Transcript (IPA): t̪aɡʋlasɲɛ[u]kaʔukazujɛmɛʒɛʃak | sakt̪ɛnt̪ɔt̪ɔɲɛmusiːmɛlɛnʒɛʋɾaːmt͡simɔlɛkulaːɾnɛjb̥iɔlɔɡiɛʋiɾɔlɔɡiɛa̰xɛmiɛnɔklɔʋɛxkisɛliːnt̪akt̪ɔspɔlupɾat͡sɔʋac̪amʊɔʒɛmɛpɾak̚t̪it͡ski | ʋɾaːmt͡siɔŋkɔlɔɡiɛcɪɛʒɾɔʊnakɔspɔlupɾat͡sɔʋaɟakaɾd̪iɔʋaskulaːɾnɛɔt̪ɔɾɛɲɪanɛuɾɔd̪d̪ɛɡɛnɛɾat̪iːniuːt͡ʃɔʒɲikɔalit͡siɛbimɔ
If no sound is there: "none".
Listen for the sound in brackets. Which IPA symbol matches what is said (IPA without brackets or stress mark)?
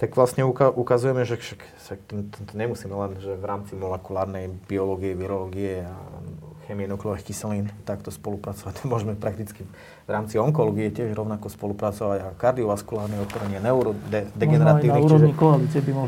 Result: u